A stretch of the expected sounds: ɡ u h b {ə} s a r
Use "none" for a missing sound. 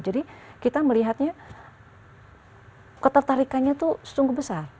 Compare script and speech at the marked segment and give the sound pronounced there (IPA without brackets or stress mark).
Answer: ə